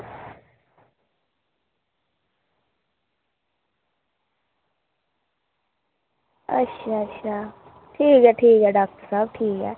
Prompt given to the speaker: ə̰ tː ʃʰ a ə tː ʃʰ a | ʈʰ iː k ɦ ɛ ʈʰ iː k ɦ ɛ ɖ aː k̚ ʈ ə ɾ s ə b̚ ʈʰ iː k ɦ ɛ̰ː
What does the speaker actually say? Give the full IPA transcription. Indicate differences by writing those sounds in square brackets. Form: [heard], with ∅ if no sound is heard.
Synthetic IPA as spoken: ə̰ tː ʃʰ a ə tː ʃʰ a | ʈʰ iː k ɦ ɛ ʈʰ iː k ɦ ɛ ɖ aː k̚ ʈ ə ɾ s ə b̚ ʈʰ iː k ɦ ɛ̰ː